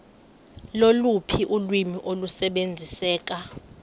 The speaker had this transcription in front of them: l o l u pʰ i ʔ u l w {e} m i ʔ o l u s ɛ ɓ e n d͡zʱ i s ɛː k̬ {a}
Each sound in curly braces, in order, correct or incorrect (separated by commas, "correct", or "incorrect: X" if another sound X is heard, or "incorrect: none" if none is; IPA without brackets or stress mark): incorrect: i, correct